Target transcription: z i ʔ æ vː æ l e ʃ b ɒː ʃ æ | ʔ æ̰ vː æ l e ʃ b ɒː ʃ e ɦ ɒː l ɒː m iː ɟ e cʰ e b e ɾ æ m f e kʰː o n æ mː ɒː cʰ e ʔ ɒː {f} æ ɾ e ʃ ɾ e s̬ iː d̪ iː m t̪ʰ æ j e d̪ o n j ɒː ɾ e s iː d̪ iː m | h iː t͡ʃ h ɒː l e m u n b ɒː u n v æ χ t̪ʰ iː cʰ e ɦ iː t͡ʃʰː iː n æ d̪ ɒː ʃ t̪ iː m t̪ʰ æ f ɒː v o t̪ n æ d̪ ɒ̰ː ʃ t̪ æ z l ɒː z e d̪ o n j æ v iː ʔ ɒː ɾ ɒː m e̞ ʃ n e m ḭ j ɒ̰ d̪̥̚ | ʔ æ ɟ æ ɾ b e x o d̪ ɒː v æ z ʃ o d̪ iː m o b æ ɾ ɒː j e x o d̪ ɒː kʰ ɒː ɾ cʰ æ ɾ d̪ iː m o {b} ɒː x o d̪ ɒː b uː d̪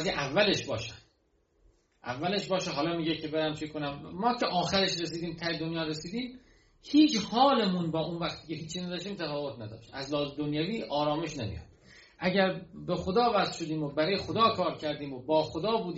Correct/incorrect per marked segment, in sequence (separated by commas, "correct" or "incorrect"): incorrect, correct